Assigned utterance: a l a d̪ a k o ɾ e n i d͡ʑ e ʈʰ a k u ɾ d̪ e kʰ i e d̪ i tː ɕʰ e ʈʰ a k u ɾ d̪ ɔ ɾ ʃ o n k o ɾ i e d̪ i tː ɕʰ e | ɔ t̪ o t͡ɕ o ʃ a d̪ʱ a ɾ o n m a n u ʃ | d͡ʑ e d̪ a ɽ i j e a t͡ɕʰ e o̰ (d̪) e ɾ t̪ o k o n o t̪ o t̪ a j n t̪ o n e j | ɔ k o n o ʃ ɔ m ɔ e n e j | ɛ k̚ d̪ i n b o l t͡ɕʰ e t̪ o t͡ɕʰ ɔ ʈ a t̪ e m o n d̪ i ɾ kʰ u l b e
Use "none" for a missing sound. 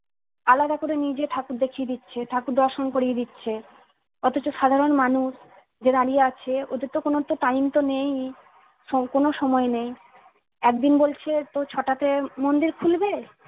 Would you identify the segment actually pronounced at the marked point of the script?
d̪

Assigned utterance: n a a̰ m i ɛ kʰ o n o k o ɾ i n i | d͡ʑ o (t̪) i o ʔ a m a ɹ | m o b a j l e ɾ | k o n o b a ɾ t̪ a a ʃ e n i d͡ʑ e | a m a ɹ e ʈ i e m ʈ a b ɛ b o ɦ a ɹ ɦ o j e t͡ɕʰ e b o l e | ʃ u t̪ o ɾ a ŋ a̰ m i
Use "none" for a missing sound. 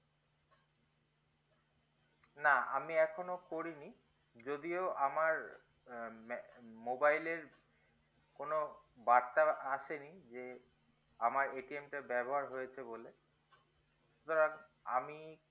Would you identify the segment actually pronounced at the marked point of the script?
d̪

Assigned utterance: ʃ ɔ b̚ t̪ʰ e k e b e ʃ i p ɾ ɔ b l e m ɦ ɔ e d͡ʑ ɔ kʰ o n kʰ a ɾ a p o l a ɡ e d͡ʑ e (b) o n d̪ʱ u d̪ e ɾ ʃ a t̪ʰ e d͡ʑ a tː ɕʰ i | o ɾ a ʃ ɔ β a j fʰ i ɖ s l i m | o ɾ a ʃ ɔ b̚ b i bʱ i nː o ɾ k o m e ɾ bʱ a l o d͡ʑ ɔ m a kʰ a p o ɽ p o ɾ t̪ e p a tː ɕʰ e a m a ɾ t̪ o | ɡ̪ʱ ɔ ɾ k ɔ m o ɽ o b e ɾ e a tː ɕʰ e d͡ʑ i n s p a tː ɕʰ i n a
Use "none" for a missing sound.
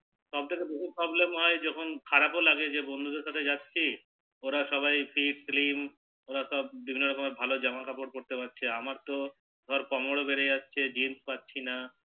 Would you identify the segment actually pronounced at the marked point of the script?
b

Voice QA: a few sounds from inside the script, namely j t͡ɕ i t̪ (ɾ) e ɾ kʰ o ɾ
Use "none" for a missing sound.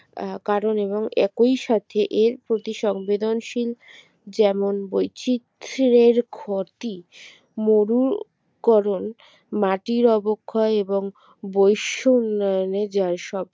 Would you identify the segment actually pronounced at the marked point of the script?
ɾ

